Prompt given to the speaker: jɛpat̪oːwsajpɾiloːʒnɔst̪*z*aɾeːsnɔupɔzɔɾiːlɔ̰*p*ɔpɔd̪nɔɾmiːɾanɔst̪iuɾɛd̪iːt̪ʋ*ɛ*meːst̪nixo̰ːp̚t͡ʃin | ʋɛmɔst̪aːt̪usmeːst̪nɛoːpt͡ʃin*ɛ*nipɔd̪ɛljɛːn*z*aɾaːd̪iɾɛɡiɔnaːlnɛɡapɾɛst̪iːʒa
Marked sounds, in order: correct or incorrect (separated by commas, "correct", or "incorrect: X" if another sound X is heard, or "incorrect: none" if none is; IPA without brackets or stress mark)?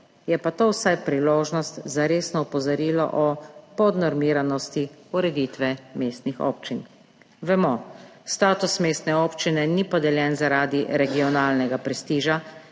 correct, incorrect: ʔ, correct, correct, correct